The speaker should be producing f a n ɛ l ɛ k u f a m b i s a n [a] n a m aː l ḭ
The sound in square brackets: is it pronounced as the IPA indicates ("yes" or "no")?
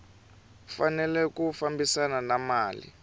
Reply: yes